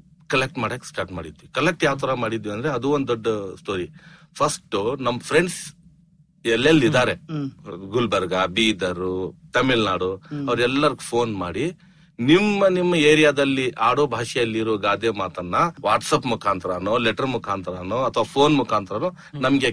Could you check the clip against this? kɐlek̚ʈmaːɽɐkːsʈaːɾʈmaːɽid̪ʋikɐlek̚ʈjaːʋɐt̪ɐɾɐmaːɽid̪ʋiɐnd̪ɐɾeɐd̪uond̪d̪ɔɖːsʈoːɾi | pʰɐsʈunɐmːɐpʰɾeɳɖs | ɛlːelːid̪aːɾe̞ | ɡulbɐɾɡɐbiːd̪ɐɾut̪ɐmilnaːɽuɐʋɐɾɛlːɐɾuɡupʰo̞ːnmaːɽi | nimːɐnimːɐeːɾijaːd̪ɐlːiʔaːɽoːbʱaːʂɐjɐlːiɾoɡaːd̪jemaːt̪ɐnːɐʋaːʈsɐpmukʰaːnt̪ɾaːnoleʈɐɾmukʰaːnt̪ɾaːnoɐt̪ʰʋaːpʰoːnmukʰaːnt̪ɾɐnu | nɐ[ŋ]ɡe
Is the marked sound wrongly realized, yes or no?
yes